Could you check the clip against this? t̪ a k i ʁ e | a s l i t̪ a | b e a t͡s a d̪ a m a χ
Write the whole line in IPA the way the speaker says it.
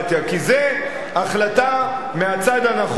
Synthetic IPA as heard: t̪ a k i z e | a χ l a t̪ a | m e a t͡s a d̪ a n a χ